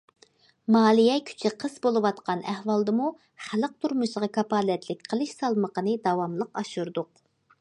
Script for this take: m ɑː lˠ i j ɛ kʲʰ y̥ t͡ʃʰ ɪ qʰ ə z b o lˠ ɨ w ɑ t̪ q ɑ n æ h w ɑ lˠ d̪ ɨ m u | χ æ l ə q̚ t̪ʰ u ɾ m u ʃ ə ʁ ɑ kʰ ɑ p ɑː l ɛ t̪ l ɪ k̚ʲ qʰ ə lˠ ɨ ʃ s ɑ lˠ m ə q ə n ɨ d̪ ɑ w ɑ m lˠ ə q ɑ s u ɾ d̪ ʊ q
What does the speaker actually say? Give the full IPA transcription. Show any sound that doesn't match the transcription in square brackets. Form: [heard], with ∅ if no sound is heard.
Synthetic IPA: m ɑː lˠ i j ɛ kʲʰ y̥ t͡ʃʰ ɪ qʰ ə z b o lˠ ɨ w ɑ t̪ q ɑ n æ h w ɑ lˠ d̪ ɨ m u | χ æ l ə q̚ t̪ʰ u ɾ m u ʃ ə ʁ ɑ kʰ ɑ p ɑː l ɛ t̪ l ɪ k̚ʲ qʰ ə lˠ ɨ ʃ s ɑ lˠ m ə q ə n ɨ d̪ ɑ w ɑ m lˠ ə q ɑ [ʃ] u ɾ d̪ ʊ q